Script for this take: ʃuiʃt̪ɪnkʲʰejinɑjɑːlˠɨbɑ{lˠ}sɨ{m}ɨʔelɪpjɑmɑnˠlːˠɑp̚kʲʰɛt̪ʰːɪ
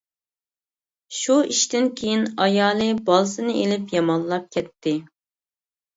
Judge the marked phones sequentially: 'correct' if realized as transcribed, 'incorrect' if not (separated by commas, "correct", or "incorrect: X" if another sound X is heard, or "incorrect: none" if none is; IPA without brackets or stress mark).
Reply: correct, incorrect: n